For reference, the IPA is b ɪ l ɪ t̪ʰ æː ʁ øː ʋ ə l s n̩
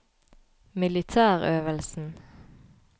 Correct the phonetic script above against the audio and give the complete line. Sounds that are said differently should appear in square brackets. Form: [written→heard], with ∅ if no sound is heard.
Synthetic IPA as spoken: [b→m] ɪ l ɪ t̪ʰ æː ʁ øː ʋ ə l s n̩

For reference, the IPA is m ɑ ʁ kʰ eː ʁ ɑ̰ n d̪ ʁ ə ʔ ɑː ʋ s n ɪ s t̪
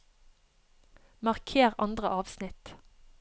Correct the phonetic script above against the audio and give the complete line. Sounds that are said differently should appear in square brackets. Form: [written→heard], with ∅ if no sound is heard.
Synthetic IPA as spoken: m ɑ ʁ kʰ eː ʁ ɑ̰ n d̪ ʁ ə ʔ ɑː ʋ s n ɪ [s→∅] t̪

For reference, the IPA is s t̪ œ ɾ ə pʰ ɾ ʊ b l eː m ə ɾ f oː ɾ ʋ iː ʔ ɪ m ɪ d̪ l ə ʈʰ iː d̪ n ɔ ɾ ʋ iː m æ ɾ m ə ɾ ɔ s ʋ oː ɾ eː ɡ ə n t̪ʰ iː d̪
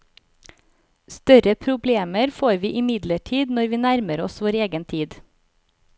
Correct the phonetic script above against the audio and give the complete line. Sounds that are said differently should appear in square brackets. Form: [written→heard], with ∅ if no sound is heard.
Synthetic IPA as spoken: s t̪ œ ɾ ə pʰ ɾ ʊ b l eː m ə ɾ f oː ɾ ʋ iː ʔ ɪ m ɪ d̪ l ə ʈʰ iː d̪ n ɔ ɾ ʋ iː [m→n] æ ɾ m ə ɾ ɔ s ʋ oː ɾ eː ɡ ə n t̪ʰ iː d̪

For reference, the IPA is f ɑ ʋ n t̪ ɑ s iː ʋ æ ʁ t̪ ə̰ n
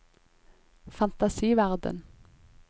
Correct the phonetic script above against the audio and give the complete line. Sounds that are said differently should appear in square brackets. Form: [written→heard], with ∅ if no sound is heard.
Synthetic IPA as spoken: f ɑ [ʋ→∅] n t̪ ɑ s iː ʋ æ ʁ [t̪→d̪] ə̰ n

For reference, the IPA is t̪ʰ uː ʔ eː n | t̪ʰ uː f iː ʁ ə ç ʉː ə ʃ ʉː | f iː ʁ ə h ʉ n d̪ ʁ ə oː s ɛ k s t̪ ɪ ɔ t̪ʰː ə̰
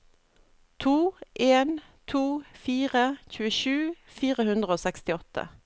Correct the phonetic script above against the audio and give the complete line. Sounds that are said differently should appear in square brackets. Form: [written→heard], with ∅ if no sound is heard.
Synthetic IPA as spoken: t̪ʰ uː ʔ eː n | t̪ʰ uː f iː ʁ ə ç ʉː ə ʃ ʉː | f iː ʁ ə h ʉ n d̪ ʁ ə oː s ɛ k s t̪ ɪ ɔ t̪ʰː ə̰

